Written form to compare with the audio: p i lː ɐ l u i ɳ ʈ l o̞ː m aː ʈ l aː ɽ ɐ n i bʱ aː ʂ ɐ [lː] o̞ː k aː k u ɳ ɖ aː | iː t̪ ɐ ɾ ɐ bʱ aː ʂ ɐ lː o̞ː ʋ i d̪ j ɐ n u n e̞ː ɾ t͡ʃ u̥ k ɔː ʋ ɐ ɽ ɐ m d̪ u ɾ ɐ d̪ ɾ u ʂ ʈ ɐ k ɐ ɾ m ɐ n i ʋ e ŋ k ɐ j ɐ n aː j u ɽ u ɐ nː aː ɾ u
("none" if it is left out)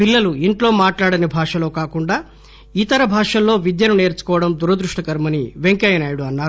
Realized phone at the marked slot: l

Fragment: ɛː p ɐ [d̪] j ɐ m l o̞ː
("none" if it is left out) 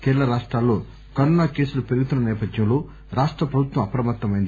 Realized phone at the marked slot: d̪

